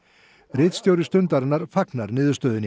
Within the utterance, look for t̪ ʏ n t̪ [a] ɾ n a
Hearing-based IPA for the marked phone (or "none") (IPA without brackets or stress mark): a